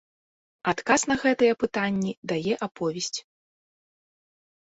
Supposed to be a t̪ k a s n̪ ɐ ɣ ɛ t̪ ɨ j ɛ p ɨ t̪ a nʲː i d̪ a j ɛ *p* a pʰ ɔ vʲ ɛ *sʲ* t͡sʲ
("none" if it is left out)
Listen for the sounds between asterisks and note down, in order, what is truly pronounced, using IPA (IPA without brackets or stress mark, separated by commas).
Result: ʔ, sʲ